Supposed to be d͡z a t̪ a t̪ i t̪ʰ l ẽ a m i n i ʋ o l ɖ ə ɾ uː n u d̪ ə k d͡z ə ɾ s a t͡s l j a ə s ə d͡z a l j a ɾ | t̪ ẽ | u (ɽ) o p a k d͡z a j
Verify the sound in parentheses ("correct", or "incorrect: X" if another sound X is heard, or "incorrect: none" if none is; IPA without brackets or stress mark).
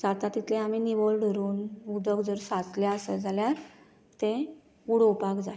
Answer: correct